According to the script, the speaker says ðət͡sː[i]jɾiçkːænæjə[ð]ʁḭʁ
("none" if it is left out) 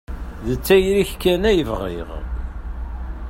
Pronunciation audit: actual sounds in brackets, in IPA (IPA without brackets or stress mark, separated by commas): æ, v